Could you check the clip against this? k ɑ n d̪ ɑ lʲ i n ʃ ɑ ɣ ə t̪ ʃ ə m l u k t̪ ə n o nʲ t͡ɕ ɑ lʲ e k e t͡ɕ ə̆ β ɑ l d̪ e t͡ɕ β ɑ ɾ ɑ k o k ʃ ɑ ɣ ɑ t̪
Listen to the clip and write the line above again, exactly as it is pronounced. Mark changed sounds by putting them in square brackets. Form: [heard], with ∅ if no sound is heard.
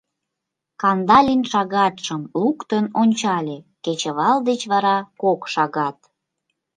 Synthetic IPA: k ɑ n d̪ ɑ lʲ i n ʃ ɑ ɣ [ɑ] t̪ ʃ ə m l u k t̪ ə n o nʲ t͡ɕ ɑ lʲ e k e t͡ɕ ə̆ β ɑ l d̪ e t͡ɕ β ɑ ɾ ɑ k o k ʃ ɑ ɣ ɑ t̪